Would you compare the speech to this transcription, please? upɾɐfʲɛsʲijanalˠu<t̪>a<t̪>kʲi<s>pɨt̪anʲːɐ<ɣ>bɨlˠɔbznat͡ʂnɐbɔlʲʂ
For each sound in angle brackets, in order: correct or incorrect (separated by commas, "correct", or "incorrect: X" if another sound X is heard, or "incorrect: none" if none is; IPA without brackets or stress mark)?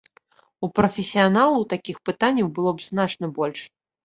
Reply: correct, incorrect: none, incorrect: x, incorrect: w